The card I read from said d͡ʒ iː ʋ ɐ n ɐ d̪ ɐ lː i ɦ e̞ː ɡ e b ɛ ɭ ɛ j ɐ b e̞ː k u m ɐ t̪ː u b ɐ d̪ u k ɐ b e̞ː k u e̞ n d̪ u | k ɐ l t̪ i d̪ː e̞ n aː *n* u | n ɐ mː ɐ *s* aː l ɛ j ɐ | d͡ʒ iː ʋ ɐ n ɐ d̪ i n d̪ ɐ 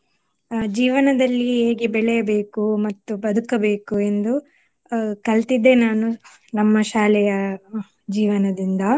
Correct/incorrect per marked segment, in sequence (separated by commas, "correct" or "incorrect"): correct, incorrect